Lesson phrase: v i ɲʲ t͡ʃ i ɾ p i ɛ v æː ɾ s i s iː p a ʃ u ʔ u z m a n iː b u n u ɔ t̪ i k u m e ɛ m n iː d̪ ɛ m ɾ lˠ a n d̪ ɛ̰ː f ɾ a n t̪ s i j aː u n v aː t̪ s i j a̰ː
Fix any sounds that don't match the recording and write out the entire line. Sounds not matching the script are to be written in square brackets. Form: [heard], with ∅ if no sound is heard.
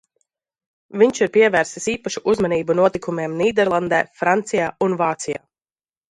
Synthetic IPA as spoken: v i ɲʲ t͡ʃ i ɾ p i ɛ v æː ɾ s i s iː p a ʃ u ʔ u z m a n iː b u n u ɔ t̪ i k u m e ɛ m n iː d̪ ɛ [∅] ɾ lˠ a n d̪ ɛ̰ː f ɾ a n t̪ s i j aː u n v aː t̪ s i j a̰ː